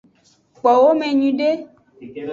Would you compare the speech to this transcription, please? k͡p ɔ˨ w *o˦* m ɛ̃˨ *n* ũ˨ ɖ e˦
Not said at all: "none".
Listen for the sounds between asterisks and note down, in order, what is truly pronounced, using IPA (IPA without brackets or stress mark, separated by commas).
o˦, ɲ